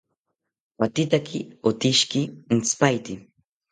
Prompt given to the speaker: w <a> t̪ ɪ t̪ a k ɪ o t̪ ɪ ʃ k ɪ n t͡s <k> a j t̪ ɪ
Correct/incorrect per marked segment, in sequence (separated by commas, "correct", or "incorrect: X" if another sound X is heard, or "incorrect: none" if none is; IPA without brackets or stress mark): correct, incorrect: p